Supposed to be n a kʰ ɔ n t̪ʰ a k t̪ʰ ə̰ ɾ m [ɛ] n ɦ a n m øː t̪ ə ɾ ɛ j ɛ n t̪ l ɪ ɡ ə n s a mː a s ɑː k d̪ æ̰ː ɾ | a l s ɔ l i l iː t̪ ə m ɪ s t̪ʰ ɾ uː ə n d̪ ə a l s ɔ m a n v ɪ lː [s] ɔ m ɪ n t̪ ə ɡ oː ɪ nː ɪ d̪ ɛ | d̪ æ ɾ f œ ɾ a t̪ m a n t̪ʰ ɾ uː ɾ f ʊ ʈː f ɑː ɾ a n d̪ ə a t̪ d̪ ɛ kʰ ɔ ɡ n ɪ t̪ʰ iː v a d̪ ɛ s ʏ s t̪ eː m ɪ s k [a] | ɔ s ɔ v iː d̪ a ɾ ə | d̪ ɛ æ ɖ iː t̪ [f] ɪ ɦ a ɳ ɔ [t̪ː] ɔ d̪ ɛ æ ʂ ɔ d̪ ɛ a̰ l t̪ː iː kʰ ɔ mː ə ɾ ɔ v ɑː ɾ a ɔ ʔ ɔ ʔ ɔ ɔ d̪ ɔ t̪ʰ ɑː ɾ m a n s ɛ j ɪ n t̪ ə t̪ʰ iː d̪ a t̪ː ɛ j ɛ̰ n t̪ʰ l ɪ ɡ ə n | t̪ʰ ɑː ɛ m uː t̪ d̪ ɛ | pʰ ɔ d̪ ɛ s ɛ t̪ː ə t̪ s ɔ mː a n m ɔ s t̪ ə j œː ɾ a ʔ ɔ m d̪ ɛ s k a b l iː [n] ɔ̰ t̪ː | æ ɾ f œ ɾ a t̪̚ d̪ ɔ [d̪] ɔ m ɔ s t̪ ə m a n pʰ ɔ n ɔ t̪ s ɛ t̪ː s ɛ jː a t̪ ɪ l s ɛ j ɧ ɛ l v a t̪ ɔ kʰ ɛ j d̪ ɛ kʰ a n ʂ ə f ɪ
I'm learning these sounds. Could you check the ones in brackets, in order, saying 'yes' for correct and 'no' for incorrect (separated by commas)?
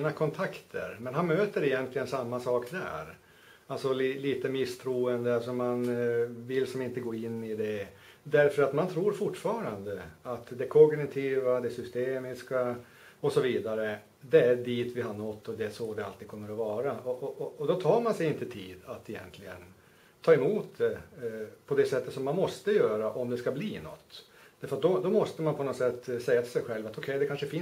yes, yes, yes, no, yes, yes, yes